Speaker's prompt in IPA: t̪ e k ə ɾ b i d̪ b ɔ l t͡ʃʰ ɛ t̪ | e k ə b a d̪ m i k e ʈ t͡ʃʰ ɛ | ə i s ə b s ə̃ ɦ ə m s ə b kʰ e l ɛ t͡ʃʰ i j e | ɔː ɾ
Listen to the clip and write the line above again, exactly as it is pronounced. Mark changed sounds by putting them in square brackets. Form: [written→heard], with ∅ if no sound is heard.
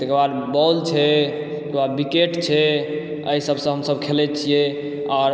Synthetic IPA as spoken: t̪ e k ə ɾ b [i→a] d̪ b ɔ l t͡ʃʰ ɛ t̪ | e k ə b a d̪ [m→b] i k e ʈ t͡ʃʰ ɛ | ə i s ə b s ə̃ ɦ ə m s ə b kʰ e l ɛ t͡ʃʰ i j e | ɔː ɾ